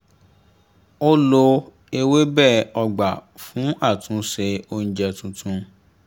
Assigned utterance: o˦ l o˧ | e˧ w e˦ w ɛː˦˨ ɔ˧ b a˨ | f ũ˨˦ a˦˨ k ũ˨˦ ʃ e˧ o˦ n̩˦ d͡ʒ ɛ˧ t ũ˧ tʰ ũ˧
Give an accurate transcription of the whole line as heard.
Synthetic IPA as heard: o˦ l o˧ | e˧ w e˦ b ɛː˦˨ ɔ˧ ɡ͡b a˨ | f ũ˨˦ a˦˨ t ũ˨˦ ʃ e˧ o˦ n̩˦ d͡ʒ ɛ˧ t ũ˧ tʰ ũ˧